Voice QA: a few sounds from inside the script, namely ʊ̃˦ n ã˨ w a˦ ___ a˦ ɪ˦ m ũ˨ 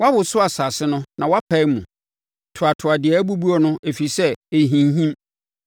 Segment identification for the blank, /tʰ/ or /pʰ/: pʰ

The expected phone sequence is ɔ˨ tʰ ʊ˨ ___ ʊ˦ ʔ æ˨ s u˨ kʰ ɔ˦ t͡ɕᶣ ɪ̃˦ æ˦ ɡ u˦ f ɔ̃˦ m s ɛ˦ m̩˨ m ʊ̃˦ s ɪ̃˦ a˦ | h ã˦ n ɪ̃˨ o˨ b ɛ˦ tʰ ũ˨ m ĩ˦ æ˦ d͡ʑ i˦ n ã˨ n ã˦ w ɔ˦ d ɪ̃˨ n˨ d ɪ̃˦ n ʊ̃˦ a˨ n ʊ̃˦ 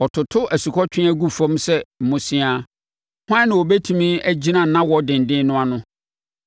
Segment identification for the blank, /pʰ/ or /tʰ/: tʰ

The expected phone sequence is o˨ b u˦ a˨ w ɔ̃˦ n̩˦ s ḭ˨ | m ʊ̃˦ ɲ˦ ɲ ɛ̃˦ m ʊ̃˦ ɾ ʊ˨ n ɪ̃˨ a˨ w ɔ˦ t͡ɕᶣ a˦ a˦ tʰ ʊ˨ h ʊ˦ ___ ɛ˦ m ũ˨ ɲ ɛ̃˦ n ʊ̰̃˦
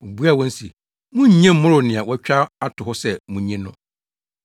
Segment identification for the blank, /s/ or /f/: s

